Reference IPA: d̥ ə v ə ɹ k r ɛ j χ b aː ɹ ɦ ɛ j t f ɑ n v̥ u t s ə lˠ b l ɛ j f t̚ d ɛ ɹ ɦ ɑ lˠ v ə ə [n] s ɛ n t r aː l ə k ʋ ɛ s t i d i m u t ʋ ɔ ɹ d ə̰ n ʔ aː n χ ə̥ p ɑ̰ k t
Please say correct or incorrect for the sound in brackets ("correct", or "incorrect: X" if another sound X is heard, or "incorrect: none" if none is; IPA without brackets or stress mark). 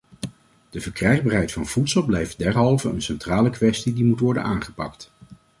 correct